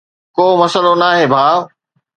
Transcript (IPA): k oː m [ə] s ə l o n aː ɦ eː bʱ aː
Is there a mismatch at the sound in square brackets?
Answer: yes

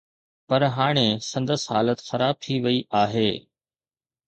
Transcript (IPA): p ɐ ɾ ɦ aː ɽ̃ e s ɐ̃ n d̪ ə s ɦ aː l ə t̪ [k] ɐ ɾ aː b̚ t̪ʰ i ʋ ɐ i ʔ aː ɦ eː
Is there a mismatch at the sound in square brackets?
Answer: yes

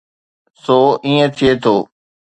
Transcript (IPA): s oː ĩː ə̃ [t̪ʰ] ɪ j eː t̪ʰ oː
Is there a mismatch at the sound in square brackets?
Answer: no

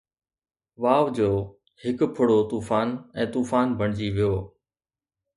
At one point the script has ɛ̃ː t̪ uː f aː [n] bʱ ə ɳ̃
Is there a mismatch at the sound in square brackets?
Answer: no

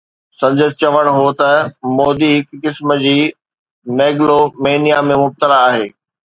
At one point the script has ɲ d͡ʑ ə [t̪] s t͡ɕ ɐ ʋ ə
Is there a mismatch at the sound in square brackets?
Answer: yes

